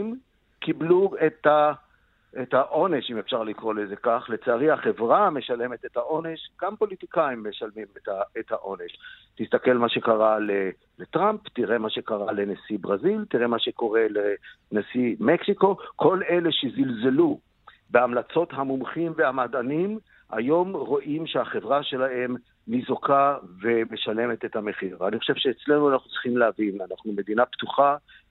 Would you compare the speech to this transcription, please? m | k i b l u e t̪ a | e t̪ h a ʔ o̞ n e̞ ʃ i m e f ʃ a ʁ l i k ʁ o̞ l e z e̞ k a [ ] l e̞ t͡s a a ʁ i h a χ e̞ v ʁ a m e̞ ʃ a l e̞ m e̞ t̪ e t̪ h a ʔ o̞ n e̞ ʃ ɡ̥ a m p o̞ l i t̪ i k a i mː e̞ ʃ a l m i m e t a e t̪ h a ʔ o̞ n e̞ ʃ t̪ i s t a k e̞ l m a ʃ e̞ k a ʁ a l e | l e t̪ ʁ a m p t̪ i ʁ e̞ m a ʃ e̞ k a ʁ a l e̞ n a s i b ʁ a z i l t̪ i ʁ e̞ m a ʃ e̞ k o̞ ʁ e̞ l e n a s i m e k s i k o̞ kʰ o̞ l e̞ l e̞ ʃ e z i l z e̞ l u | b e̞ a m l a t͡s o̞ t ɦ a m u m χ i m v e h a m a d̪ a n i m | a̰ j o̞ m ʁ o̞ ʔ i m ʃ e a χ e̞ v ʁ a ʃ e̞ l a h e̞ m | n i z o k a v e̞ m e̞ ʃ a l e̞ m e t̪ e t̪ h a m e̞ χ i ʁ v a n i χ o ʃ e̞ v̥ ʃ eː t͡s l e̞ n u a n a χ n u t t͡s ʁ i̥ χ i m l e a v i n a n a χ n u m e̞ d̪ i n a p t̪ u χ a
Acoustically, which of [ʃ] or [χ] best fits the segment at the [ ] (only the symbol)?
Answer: χ